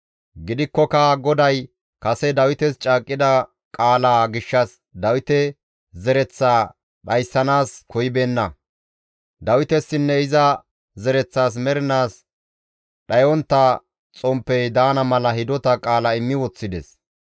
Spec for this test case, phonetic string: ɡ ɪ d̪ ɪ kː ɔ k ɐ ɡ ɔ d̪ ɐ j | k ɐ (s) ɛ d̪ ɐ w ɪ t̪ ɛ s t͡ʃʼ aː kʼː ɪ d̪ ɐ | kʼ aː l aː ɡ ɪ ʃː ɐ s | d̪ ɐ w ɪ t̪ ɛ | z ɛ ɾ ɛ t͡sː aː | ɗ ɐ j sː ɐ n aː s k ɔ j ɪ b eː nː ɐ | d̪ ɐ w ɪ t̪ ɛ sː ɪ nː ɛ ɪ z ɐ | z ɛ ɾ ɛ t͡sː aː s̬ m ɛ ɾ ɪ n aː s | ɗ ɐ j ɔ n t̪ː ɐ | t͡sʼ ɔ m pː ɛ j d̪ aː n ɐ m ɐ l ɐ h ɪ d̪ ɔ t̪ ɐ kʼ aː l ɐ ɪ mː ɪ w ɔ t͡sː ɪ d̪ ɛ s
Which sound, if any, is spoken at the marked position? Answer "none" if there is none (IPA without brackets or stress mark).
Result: s